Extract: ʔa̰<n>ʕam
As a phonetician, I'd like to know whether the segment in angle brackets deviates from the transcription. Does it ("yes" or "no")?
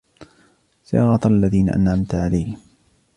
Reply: no